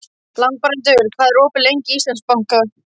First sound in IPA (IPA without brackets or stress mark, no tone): l